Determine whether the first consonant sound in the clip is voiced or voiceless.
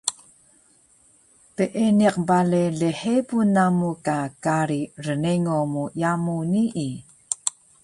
voiceless